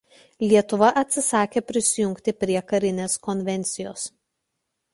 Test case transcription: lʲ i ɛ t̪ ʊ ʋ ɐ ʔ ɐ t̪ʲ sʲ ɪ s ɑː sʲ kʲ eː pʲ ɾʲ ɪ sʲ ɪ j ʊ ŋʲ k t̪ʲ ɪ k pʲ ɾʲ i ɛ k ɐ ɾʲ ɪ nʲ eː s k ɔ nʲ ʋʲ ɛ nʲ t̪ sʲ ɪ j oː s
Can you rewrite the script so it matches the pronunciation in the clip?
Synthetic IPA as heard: lʲ i ɛ t̪ ʊ ʋ ɐ ʔ ɐ t̪ʲ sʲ ɪ s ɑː kʲ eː pʲ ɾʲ ɪ sʲ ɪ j ʊ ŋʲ k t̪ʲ ɪ pʲ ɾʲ i ɛ k ɐ ɾʲ ɪ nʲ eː s k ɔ nʲ ʋʲ ɛ nʲ t̪ sʲ ɪ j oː s